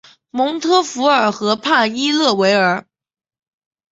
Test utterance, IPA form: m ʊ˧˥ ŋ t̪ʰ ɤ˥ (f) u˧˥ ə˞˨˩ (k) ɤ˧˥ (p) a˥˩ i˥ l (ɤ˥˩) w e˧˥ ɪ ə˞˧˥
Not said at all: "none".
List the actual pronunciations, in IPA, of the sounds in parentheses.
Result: f, x, pʰ, ɤ˥˩

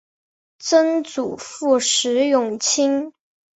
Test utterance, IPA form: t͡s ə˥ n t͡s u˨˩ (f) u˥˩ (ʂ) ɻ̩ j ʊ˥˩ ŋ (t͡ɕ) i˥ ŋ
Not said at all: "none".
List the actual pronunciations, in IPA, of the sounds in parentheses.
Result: f, ʂ, t͡ɕʰ

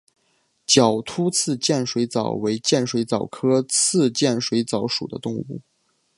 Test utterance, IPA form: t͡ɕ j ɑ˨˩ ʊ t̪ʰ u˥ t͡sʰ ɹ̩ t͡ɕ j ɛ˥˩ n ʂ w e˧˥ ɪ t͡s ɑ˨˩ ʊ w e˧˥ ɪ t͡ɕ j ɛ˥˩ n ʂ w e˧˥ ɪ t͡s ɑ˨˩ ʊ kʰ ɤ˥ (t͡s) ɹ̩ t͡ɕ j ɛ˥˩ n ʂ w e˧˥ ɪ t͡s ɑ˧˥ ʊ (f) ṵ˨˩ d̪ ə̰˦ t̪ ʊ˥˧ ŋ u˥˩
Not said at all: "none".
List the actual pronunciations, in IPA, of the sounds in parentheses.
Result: t͡sʰ, ʂ

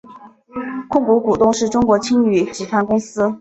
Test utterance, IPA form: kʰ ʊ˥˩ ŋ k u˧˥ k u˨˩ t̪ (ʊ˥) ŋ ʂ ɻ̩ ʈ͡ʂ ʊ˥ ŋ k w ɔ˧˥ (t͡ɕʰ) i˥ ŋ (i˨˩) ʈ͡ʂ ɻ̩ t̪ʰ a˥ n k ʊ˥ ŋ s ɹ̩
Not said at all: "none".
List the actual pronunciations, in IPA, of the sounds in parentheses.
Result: ʊ˥˧, t͡ɕʰ, y˨˩

